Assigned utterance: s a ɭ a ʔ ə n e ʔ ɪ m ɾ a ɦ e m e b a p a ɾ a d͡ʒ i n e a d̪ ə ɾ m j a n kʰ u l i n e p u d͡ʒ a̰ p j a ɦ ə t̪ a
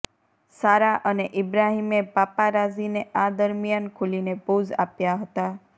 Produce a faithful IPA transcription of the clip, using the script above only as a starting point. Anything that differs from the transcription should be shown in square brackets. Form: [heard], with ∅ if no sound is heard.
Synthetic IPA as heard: s a [ɾ] a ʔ ə n e ʔ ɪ [b] ɾ a ɦ [i] m e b a p a ɾ a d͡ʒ i n e a d̪ ə ɾ m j a n kʰ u l i n e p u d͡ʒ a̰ p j a ɦ ə t̪ a

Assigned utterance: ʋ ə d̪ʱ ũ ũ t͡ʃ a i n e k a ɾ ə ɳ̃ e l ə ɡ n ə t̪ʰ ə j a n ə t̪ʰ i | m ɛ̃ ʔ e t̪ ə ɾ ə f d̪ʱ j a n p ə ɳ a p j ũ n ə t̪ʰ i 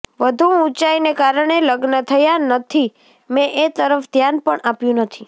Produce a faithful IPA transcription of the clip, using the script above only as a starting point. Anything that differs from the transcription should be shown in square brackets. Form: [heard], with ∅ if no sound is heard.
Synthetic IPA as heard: ʋ ə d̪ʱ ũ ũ t͡ʃ a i n e k a ɾ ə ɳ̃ e l ə ɡ n ə t̪ʰ ə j a n ə t̪ʰ i | m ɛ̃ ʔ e t̪ ə ɾ ə f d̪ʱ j a n p ə ɳ a p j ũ n ə t̪ʰ i

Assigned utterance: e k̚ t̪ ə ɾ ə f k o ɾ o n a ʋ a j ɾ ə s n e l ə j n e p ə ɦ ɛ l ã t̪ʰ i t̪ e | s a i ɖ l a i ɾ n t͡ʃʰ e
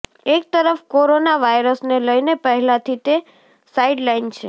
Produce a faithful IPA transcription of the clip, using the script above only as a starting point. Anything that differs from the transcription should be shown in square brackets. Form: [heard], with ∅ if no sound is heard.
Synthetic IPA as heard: e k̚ t̪ ə ɾ ə f k o ɾ o n a ʋ a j ɾ ə s n e l ə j n e p ə ɦ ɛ l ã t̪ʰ i t̪ e | s a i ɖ l a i [∅] n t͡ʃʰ e

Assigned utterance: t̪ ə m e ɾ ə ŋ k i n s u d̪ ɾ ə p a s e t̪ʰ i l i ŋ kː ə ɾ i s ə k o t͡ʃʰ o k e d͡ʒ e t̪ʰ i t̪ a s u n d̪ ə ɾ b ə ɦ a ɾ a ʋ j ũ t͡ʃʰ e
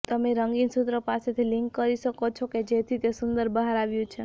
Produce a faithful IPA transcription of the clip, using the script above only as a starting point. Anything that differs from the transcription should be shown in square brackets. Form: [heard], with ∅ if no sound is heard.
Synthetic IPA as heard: t̪ ə m e ɾ ə ŋ [ɡ] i n s u [t̪] ɾ ə p a s e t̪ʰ i l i ŋ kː ə ɾ i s ə k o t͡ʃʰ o k e d͡ʒ e t̪ʰ i t̪ [e] s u n d̪ ə ɾ b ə ɦ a ɾ a ʋ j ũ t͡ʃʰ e

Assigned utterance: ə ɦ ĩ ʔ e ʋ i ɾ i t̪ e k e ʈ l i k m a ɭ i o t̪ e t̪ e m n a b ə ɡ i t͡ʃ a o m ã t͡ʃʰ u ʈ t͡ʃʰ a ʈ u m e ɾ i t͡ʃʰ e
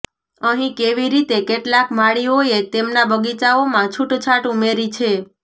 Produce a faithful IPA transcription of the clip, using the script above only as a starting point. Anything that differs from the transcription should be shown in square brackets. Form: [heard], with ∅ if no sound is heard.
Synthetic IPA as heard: ə ɦ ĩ [k] e ʋ i ɾ i t̪ e k e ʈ l [a] k m a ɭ i o [∅] e t̪ e m n a b ə ɡ i t͡ʃ a o m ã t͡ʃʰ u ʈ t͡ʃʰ a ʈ u m e ɾ i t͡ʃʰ e

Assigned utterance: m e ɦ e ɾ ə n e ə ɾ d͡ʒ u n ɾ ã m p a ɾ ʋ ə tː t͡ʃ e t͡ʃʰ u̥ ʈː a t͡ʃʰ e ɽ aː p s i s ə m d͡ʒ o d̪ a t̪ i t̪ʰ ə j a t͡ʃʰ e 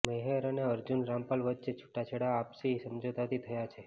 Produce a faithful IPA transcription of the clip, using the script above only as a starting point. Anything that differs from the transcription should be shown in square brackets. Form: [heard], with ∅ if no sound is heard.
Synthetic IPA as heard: m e ɦ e ɾ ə n e ə ɾ d͡ʒ u n ɾ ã m p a [l] ʋ ə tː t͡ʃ e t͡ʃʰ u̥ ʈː a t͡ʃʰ e ɽ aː p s i s ə m d͡ʒ o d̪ a t̪ i t̪ʰ ə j a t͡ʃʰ e

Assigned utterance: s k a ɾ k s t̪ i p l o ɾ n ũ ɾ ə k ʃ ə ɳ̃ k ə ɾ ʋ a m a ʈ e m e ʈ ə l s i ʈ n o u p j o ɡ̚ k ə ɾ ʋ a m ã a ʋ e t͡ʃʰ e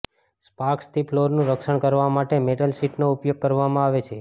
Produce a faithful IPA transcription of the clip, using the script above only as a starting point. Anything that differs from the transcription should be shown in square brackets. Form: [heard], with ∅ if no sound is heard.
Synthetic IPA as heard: s [p] a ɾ k s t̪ i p l o ɾ n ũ ɾ ə k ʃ ə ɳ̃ k ə ɾ ʋ a m a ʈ e m e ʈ ə l s i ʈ n o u p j o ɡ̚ k ə ɾ ʋ a m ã a ʋ e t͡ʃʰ e

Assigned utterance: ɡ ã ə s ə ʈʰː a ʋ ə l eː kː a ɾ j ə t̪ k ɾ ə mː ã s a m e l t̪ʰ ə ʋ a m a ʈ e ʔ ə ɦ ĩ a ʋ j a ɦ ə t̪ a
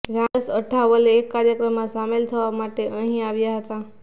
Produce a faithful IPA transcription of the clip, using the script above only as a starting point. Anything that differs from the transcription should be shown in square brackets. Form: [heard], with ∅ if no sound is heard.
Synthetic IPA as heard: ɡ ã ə s ə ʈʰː a ʋ ə l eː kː a ɾ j ə [∅] k ɾ ə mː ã s a m e l t̪ʰ ə ʋ a m a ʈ e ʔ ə ɦ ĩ a ʋ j a ɦ ə t̪ a

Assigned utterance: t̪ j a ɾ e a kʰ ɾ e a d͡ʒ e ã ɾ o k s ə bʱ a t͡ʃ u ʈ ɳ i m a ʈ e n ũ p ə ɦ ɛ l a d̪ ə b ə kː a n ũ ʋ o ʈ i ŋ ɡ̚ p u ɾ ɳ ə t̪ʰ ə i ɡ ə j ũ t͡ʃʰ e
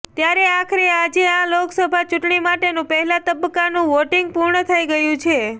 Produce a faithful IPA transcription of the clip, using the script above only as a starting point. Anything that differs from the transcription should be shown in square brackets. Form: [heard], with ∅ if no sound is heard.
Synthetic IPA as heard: t̪ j a ɾ e a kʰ ɾ e a d͡ʒ e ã [l] o k s ə bʱ a t͡ʃ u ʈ ɳ i m a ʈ e n ũ p ə ɦ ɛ l a [t̪] ə b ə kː a n ũ ʋ o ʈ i ŋ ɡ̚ p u ɾ ɳ ə t̪ʰ ə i ɡ ə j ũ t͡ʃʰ e

